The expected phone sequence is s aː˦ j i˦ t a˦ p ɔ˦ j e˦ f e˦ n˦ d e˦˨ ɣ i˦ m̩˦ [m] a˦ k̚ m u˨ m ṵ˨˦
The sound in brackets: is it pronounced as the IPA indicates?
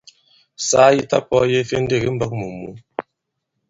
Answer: no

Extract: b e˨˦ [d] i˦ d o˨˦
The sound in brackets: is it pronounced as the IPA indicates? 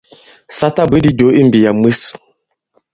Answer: yes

